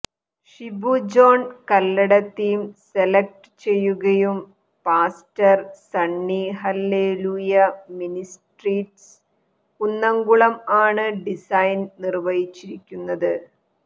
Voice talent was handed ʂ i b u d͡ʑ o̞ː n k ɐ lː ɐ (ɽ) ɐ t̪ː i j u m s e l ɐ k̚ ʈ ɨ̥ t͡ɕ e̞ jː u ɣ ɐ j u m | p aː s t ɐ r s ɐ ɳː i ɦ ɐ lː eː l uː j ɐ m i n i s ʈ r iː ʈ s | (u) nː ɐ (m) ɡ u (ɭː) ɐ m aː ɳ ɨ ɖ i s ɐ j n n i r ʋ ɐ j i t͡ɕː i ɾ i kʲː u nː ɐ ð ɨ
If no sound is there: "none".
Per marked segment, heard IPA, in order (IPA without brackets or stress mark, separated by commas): ɽ, u, ŋ, ɭ